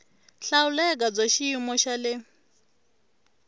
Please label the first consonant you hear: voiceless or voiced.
voiceless